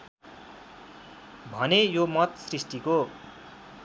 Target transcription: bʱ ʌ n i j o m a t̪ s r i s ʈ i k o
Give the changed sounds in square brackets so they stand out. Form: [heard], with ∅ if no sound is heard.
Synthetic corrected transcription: bʱ ʌ n [e] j o m [ʌ] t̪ s r i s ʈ i k o